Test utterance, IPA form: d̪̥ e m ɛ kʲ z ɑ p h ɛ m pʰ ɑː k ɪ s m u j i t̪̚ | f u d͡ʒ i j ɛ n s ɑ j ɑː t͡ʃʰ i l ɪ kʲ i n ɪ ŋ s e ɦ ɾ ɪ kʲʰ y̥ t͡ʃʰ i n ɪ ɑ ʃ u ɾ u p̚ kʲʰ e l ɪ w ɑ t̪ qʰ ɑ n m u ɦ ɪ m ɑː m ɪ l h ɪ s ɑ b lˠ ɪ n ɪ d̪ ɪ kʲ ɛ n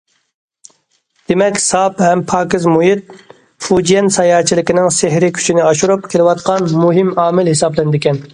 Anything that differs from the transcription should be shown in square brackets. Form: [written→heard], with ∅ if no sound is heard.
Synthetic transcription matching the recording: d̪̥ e m ɛ kʲ [z→s] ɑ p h ɛ m pʰ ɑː k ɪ [s→z] m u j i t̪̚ | f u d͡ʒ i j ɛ n s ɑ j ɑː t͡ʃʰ i l ɪ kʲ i n ɪ ŋ s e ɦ ɾ ɪ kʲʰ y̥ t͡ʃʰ i n ɪ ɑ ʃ u ɾ u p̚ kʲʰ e l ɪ w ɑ t̪ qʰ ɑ n m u ɦ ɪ m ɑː m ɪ l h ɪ s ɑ b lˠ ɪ n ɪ d̪ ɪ kʲ ɛ n